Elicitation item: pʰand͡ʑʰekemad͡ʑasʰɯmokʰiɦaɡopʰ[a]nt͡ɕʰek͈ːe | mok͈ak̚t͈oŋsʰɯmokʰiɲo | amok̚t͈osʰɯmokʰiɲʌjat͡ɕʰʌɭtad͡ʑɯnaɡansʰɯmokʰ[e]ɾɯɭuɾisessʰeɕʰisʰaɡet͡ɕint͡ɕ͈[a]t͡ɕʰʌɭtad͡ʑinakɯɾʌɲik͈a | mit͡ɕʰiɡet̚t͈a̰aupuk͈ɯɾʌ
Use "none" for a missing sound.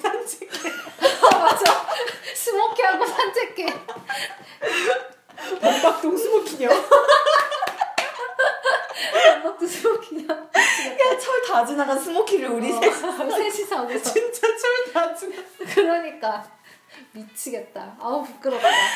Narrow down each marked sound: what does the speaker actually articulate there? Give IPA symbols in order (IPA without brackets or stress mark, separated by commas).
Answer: a, i, a